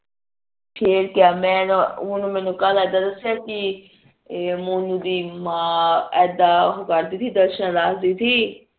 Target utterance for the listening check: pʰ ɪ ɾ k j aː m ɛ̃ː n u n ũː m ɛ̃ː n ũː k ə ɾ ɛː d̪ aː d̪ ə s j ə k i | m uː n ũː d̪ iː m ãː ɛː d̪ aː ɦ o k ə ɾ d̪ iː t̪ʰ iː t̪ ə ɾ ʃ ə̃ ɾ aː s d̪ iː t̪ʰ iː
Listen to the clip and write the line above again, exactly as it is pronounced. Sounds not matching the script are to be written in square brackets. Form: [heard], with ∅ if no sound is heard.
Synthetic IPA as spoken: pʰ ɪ ɾ k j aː m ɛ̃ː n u n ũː m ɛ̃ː n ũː k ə [l] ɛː d̪ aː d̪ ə s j [a] k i | m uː n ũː d̪ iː m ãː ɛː d̪ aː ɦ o k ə ɾ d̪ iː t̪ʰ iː [d̪] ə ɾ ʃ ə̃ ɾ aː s d̪ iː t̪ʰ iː